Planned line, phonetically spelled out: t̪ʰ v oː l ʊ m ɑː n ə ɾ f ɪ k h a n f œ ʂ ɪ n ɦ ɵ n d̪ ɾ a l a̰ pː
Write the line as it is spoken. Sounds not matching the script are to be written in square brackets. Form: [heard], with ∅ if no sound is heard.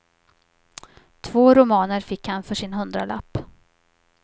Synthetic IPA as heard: t̪ʰ v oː [ɾ] ʊ m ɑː n ə ɾ f ɪ k h a n f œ ʂ ɪ n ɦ ɵ n d̪ ɾ a l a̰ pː